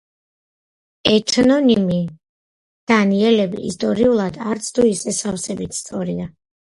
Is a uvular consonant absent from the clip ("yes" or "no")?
yes